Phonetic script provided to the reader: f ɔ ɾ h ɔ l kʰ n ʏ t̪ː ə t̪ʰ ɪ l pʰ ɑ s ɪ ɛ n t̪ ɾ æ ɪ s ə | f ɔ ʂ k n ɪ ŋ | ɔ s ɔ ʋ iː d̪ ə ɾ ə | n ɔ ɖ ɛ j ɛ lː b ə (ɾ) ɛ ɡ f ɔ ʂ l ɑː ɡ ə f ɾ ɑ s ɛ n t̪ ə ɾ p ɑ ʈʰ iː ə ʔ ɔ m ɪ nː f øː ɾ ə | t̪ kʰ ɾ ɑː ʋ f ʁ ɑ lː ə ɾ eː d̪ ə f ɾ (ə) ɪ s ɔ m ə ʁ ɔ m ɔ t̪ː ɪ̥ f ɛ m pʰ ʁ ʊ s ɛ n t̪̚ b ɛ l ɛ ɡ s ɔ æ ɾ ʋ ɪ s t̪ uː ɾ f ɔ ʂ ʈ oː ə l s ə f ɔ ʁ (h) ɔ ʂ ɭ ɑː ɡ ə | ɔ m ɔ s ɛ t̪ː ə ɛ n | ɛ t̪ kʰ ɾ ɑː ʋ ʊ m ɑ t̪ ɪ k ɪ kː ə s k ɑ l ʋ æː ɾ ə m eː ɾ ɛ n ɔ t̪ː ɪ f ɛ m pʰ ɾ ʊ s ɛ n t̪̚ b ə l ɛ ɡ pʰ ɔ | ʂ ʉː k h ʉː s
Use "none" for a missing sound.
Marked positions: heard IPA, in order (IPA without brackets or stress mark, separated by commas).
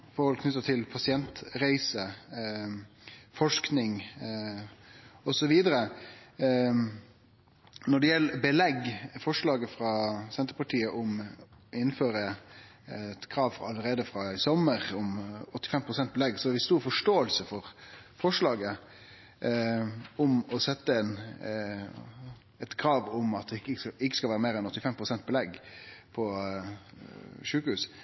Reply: l, ɑ, f